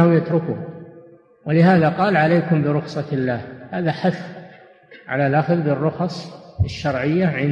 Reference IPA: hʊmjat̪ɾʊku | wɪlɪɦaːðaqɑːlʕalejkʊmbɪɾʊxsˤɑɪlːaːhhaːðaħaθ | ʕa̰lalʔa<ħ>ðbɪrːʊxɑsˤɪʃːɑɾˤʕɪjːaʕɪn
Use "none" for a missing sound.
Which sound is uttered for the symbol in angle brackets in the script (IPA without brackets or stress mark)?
x